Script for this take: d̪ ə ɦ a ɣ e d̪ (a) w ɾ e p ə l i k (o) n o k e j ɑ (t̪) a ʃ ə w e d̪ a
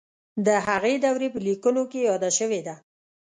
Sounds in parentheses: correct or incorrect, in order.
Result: correct, incorrect: u, incorrect: d̪

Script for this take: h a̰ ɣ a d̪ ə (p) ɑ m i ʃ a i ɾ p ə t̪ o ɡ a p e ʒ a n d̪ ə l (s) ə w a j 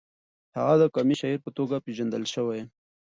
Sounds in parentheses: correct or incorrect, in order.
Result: incorrect: k, incorrect: ʃ

